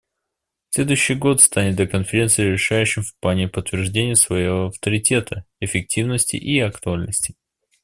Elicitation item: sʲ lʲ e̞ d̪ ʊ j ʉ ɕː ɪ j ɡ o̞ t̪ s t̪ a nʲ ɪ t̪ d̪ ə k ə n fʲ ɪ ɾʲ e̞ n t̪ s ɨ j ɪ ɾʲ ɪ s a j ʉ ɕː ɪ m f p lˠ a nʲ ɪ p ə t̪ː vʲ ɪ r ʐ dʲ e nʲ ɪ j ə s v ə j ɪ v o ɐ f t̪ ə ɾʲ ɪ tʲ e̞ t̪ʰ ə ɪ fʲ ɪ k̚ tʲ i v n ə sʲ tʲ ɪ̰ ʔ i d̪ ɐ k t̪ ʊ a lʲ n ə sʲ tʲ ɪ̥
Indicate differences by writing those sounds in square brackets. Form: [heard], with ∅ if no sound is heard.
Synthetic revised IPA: sʲ lʲ e̞ d̪ ʊ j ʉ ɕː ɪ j ɡ o̞ t̪ s t̪ a nʲ ɪ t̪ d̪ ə k ə n fʲ ɪ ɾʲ e̞ n t̪ s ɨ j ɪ ɾʲ ɪ [ʂ] a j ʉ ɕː ɪ m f p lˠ a nʲ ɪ p ə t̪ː vʲ ɪ r ʐ dʲ e nʲ ɪ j ə s v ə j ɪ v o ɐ f t̪ ə ɾʲ ɪ tʲ e̞ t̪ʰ ə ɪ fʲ ɪ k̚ tʲ i v n ə sʲ tʲ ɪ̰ ʔ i [∅] ɐ k t̪ ʊ a lʲ n ə sʲ tʲ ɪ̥